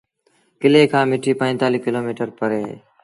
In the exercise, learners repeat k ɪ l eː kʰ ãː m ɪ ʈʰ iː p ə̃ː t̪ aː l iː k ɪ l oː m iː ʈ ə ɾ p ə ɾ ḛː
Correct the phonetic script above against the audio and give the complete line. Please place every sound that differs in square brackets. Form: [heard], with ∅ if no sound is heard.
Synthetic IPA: k ɪ l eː kʰ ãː m ɪ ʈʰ iː p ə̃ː t̪ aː l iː k ɪ l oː m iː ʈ ə ɾ p ə ɾ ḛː